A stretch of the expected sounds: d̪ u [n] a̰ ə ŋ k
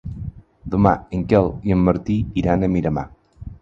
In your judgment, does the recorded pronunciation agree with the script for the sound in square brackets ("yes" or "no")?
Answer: no